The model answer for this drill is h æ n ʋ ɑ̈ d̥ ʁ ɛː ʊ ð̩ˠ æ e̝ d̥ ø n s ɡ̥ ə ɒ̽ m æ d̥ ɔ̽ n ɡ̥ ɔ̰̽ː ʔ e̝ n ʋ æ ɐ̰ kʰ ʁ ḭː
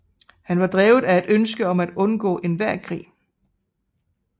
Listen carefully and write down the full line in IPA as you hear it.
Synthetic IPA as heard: h æ n ʋ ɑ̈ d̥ ʁ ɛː ʊ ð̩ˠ æ e̝ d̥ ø n s ɡ̥ ə ɒ̽ m æ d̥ ɔ̽ n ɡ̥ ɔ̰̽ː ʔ e̝ n ʋ æ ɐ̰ kʰ ʁ ḭː